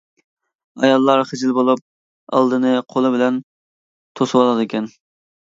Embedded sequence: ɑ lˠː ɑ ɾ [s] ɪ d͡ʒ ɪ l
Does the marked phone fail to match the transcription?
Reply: yes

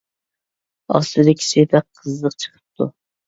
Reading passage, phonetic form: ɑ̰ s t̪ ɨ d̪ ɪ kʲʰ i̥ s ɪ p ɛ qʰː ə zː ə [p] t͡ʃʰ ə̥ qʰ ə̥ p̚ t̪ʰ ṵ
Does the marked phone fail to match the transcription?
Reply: yes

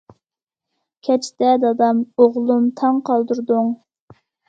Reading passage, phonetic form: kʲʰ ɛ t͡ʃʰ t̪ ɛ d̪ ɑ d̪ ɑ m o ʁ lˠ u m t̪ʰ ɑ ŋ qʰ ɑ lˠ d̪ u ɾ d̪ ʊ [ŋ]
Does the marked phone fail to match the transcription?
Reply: no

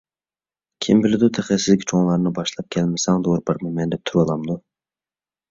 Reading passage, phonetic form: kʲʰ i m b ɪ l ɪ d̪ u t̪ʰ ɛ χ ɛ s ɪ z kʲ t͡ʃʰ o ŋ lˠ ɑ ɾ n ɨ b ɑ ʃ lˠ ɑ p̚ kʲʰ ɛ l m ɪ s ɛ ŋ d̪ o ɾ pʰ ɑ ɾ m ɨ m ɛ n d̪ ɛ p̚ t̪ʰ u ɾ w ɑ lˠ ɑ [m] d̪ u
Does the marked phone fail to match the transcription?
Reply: no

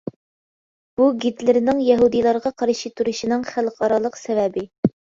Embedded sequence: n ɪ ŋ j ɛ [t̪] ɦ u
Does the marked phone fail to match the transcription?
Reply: yes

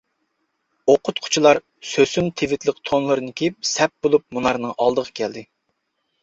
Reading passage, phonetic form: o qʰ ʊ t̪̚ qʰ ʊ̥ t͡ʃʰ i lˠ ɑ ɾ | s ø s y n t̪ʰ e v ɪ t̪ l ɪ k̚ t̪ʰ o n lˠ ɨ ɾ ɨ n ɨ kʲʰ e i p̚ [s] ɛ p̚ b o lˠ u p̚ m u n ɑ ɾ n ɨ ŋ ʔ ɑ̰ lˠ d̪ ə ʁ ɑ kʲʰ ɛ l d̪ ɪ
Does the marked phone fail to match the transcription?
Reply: no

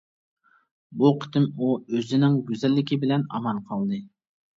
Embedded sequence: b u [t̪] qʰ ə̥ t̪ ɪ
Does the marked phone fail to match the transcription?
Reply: yes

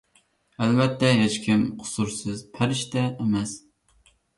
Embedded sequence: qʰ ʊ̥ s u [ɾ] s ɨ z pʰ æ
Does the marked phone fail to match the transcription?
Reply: no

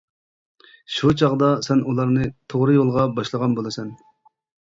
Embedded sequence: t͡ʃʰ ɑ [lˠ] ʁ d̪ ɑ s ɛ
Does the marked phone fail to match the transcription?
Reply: yes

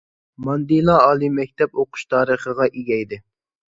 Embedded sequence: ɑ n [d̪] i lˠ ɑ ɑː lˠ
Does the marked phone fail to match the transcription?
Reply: no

